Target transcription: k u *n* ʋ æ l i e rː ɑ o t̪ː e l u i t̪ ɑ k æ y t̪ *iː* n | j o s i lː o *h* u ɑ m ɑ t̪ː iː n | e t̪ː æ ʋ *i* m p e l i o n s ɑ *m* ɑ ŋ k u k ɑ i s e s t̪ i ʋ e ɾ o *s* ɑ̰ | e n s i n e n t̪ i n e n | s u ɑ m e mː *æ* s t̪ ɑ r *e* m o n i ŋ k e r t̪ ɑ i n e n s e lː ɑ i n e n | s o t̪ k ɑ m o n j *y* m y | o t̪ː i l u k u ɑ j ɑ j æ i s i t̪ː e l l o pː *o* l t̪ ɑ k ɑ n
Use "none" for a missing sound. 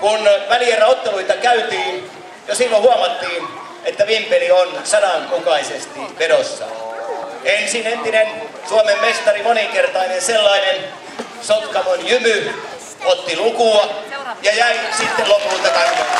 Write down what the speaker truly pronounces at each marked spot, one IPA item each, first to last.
n, iː, h, i, n, sː, e, i, y, u

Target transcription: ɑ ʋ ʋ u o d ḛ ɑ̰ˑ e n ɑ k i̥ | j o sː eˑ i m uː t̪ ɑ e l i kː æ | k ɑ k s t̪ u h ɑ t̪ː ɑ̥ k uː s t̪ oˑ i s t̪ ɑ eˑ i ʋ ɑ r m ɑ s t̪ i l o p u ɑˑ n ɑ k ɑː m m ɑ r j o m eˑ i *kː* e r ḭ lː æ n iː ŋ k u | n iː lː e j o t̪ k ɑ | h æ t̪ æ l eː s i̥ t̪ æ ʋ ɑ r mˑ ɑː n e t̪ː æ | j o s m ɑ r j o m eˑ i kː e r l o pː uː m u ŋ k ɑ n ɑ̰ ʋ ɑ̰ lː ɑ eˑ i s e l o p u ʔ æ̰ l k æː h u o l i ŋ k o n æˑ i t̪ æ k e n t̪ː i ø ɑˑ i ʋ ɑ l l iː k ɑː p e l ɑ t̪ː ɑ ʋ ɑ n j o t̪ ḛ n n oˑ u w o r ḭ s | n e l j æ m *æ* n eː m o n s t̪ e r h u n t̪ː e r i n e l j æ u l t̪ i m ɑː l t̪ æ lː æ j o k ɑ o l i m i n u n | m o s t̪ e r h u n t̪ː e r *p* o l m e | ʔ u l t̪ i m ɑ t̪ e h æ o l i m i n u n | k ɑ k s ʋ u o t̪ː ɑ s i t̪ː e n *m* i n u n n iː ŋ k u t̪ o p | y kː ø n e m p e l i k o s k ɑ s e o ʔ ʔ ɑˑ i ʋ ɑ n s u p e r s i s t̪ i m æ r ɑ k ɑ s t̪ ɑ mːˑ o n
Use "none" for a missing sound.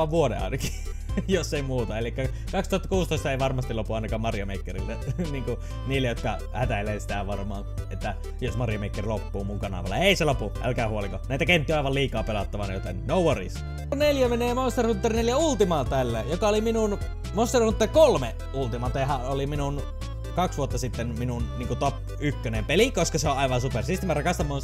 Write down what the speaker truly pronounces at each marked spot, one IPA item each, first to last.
kː, e, k, m

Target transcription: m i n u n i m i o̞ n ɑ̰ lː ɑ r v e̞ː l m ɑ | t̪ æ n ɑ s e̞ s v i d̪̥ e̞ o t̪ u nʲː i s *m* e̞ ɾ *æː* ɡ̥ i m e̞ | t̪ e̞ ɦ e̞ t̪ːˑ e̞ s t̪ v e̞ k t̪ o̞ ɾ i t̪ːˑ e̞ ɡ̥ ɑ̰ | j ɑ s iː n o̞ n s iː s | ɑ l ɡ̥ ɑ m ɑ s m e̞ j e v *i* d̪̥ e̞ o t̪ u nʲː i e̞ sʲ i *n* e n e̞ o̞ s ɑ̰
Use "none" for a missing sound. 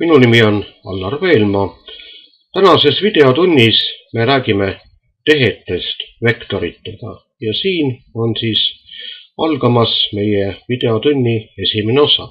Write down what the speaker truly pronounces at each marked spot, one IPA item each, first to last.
m, æː, i, m

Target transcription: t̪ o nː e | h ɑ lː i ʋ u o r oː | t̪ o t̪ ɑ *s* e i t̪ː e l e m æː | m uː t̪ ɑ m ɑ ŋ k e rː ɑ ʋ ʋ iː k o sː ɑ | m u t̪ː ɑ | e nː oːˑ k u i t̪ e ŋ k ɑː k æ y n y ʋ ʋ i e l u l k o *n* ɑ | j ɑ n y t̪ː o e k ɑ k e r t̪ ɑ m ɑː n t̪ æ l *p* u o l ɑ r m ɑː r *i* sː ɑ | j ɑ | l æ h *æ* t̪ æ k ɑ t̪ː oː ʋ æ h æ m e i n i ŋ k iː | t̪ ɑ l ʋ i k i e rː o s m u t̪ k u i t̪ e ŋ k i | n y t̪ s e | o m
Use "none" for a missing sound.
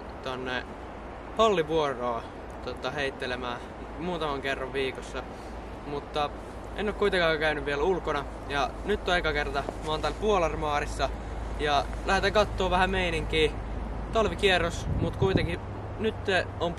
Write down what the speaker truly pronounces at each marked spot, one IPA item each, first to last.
h, n, p, i, e

